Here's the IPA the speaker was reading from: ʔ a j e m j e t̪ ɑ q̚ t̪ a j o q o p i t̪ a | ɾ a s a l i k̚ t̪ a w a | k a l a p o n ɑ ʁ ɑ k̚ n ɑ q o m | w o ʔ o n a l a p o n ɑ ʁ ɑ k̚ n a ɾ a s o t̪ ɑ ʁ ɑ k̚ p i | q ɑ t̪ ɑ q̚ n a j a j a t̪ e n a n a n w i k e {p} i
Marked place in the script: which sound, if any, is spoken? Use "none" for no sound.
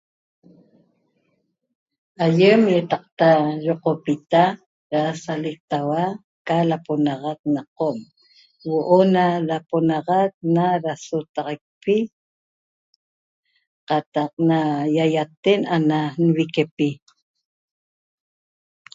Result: p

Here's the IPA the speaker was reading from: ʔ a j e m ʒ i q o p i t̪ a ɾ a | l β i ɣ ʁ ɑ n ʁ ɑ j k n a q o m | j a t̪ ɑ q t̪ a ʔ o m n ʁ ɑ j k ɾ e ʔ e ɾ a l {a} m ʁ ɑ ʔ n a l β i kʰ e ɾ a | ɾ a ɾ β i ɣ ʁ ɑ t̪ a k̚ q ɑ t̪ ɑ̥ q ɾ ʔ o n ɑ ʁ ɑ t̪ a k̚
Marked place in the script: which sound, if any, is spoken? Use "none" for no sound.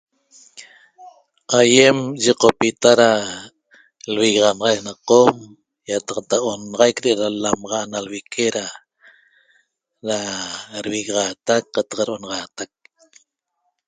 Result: a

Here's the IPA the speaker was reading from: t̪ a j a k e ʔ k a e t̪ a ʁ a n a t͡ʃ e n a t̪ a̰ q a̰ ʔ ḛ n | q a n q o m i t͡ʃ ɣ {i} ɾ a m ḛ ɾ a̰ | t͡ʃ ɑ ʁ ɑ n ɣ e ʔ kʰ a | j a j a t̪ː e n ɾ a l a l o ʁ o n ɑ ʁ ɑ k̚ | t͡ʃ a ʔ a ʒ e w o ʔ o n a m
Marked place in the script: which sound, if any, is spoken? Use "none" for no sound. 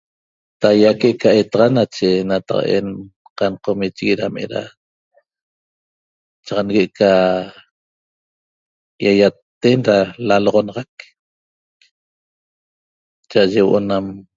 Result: i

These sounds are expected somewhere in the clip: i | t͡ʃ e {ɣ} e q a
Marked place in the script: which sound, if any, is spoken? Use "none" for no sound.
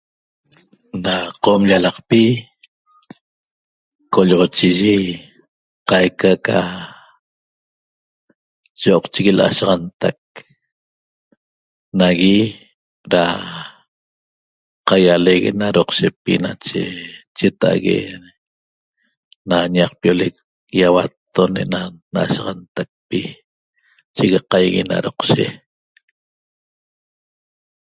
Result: ɣ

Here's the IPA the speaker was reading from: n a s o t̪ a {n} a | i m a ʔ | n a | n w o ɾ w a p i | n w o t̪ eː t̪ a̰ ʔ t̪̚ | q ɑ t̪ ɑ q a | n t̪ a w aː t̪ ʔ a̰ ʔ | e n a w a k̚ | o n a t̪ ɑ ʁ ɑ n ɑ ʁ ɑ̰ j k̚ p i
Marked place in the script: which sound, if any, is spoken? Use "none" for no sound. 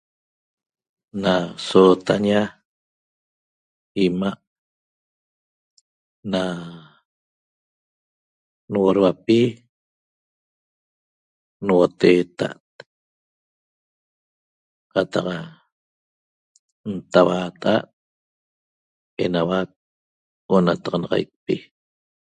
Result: ɲ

